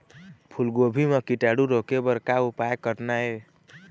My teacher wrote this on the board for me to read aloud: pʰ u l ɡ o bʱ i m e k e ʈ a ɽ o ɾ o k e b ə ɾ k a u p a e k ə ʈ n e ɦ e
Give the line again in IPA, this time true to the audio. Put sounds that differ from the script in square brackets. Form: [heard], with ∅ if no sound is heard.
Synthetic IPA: pʰ u l ɡ o bʱ i m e k [i] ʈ a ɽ [u] ɾ o k e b ə ɾ k a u p a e k ə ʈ n [a] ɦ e